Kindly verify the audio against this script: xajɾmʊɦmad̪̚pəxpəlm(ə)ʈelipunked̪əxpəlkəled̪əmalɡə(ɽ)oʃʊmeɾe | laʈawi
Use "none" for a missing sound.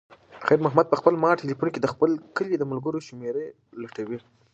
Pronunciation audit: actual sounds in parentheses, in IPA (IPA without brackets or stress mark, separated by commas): ɑ, ɾ